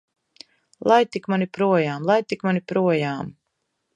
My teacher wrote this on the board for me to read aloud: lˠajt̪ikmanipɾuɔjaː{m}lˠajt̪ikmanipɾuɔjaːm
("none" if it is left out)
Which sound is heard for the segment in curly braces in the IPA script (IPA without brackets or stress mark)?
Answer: m